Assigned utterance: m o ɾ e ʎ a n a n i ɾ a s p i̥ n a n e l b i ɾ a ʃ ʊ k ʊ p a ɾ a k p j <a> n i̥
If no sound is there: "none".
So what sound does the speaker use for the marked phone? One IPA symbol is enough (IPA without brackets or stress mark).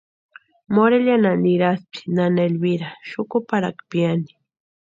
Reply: a